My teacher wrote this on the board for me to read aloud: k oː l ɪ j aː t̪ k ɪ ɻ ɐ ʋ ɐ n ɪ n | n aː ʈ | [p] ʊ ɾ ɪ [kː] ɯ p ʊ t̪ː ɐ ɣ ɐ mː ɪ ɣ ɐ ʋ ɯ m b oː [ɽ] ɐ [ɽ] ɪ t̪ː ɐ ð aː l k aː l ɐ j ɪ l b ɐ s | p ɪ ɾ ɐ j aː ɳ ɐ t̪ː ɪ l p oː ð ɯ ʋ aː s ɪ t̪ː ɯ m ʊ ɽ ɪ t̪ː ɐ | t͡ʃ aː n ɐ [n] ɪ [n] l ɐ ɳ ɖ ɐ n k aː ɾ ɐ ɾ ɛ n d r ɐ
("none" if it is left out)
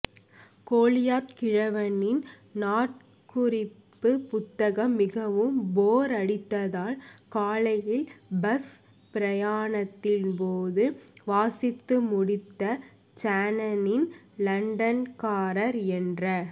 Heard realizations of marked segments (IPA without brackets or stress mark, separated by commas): k, pː, ɾ, ɽ, n, n